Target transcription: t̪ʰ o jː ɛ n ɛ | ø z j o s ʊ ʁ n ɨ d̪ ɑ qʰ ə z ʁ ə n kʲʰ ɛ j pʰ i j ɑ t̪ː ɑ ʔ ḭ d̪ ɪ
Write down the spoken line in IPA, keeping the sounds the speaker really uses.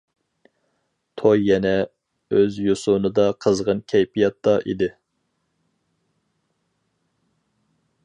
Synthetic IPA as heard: t̪ʰ o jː ɛ n ɛ | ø z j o s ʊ n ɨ d̪ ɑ qʰ ə z ʁ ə n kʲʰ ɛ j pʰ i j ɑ t̪ː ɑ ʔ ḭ d̪ ɪ